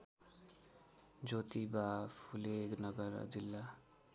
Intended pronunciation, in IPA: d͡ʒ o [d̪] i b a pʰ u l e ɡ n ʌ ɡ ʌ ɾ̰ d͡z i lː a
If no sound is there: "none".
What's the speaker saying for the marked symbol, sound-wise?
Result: t̪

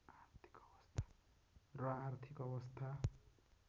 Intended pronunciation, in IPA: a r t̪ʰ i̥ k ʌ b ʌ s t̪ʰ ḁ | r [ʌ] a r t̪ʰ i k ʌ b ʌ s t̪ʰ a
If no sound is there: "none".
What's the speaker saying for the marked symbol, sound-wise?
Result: ʌ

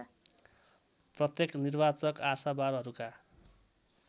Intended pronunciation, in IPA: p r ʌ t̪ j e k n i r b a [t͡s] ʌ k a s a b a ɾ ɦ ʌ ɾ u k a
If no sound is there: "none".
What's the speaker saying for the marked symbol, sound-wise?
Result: t͡s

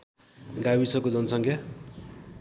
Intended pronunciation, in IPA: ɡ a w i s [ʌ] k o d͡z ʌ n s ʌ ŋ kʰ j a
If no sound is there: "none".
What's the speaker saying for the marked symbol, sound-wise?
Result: ʌ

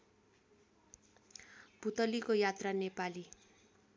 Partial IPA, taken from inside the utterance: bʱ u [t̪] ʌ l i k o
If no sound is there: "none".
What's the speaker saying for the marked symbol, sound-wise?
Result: t̪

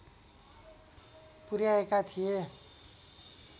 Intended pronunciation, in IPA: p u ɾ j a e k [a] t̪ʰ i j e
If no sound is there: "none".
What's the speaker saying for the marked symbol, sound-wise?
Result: a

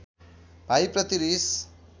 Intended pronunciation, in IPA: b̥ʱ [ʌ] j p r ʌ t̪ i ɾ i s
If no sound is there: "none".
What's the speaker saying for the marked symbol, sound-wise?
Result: a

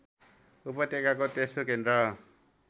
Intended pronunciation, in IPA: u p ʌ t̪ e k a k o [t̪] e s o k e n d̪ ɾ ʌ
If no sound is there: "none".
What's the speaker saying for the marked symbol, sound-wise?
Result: t̪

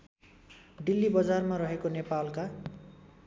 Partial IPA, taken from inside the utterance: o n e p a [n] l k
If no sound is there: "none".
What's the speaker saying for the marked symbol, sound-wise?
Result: none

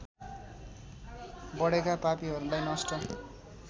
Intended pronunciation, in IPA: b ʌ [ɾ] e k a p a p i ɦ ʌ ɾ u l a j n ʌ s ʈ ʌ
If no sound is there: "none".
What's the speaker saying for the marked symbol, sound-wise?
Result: ɽ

